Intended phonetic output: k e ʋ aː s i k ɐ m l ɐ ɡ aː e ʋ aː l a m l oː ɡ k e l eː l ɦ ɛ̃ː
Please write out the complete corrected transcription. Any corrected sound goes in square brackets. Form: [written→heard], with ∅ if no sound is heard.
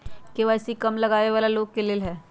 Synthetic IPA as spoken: k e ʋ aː s i k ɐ m l ɐ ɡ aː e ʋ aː l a [m→∅] l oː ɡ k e l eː l ɦ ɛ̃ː